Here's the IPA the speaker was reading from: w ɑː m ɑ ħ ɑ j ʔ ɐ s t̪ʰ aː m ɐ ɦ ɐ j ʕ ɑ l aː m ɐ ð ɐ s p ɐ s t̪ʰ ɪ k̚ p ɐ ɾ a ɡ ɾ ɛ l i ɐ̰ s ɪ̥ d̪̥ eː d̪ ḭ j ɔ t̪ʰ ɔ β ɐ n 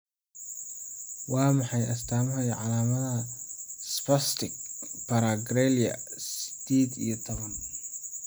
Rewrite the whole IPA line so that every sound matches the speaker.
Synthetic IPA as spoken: w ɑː m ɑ ħ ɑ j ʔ ɐ s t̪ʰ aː m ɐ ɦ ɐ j ʕ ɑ l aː m ɐ ð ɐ s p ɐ s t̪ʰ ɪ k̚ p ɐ ɾ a ɡ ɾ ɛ l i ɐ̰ s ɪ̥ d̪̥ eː d̪ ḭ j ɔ t̪ʰ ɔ β ɐ n

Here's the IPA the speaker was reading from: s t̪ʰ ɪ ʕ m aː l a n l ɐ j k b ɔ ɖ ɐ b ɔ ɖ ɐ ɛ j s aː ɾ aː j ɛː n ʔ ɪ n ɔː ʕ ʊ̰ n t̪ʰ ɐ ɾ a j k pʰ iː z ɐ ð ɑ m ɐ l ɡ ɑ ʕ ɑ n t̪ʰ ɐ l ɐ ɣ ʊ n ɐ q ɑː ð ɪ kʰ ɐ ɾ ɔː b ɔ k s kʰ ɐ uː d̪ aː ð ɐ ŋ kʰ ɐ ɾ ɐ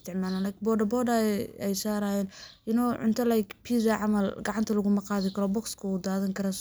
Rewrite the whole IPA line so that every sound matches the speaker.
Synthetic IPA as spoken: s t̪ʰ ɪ ʕ m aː l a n l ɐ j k b ɔ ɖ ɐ b ɔ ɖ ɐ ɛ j s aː ɾ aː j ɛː n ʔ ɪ n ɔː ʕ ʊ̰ n t̪ʰ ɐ l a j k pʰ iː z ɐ ʕ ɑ m ɐ l ɡ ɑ ʕ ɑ n t̪ʰ ɐ l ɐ ɣ ʊ m ɐ q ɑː ð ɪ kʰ ɐ ɾ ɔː b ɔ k s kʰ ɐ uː d̪ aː ð ɐ ŋ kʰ ɐ ɾ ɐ

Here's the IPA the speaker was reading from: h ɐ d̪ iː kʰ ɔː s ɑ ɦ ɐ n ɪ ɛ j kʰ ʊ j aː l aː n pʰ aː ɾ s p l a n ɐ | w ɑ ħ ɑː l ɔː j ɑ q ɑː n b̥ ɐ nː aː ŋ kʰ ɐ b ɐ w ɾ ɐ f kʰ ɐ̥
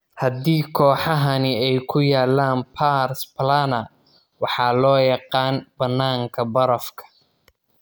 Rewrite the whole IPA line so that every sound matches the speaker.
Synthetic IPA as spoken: h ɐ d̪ iː kʰ ɔː ħ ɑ ɦ ɐ n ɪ ɛ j kʰ ʊ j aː l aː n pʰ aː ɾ s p l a n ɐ | w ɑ ħ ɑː l ɔː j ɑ q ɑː n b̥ ɐ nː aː ŋ kʰ ɐ b ɐ ɾ ɐ f kʰ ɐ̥

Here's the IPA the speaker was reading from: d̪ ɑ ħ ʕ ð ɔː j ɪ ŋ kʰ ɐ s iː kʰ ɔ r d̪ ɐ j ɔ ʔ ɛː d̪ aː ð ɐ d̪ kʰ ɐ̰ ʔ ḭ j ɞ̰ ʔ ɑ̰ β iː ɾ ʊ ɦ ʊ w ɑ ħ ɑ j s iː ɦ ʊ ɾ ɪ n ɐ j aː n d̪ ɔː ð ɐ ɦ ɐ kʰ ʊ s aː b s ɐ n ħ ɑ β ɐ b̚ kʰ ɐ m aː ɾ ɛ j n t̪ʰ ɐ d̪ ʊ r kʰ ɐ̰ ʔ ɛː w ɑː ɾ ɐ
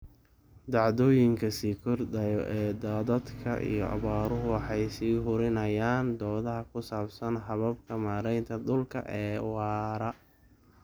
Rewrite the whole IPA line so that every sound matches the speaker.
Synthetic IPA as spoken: d̪ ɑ ʕ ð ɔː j ɪ ŋ kʰ ɐ s iː kʰ ɔ r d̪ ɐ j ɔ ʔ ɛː d̪ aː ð ɐ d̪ kʰ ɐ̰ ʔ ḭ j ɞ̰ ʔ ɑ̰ β aː ɾ ʊ ɦ ʊ w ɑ ħ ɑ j s iː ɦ ʊ ɾ ɪ n ɐ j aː n d̪ ɔː ð ɐ ɦ ɐ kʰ ʊ s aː b s ɐ n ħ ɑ β ɐ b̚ kʰ ɐ m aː ɾ ɛ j n t̪ʰ ɐ d̪ ʊ l kʰ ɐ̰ ʔ ɛː w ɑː ɾ ɐ

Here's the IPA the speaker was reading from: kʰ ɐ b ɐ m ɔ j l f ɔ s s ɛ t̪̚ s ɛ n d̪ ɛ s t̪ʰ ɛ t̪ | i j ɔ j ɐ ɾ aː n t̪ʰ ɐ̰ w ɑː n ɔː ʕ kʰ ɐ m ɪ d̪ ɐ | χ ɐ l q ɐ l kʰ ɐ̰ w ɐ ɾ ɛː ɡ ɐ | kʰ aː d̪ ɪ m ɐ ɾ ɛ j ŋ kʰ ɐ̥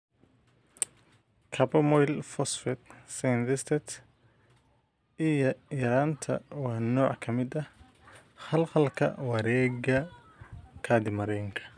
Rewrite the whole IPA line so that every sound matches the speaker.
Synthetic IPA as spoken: kʰ ɐ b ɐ m ɔ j l f ɔ s f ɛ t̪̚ s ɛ n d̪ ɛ s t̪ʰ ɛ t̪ | i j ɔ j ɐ ɾ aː n t̪ʰ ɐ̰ w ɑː n ɔː ʕ kʰ ɐ m ɪ d̪ ɐ | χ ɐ l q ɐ l kʰ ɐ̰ w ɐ ɾ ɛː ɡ ɐ | kʰ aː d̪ ɪ m ɐ ɾ ɛ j ŋ kʰ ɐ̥

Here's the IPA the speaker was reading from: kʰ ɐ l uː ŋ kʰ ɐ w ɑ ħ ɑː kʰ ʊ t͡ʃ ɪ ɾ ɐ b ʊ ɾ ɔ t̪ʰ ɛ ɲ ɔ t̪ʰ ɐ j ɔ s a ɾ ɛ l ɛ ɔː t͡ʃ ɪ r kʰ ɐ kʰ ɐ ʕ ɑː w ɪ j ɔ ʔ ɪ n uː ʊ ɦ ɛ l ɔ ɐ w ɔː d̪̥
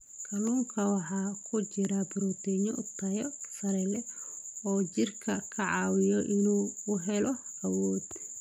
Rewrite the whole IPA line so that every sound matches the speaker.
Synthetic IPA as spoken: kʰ ɐ l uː ŋ kʰ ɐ w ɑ ħ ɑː kʰ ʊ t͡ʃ ɪ ɾ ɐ b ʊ ɾ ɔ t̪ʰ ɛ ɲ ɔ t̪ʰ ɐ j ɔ s ɐ ɾ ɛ l ɛ ɔː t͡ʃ ɪ r kʰ ɐ kʰ ɐ ʕ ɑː w ɪ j ɔ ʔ ɪ n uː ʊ ɦ ɛ l ɔ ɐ w ɔː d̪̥

